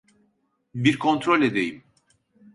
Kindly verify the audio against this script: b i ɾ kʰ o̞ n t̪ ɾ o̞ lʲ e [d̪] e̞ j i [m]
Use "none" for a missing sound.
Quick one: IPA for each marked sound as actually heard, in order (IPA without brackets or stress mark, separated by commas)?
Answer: d̪, m